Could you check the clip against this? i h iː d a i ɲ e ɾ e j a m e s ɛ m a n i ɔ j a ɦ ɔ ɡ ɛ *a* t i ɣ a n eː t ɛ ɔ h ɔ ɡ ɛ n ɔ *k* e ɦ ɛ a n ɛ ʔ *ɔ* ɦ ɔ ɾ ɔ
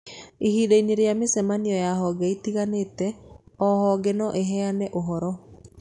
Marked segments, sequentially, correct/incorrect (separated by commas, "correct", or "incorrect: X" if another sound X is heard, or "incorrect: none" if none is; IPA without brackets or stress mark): incorrect: i, incorrect: ʔ, incorrect: o